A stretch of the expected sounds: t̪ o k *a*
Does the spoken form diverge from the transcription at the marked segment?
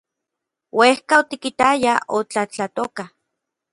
no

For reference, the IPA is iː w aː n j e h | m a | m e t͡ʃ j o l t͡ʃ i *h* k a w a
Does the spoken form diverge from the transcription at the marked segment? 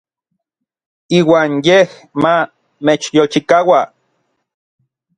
yes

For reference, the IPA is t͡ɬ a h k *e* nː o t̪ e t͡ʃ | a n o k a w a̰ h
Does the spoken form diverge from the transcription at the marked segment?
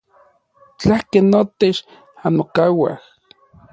no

